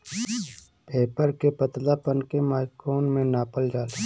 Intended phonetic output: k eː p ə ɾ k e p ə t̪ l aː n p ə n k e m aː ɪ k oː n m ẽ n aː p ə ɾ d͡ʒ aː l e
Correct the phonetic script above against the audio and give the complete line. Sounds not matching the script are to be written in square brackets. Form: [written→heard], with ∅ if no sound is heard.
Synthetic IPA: [k→p] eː p ə ɾ k e p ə t̪ l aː [n→∅] p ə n k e m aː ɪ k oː n m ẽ n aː p ə [ɾ→l] d͡ʒ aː l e